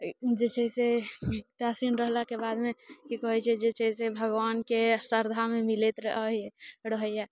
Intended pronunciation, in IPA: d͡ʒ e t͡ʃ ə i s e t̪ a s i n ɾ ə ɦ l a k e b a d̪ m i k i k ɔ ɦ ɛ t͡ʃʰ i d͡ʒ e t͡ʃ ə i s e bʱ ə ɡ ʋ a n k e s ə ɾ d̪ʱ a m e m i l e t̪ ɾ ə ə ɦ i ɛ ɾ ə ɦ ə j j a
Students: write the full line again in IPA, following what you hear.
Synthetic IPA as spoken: d͡ʒ e t͡ʃ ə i s e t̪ a s i n ɾ ə ɦ l a k e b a d̪ m e k i k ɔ ɦ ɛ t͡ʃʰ ɛ d͡ʒ e t͡ʃ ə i s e bʱ ə ɡ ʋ a n k e s ə ɾ d̪ʱ a m e m i l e t̪ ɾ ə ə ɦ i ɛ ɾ ə ɦ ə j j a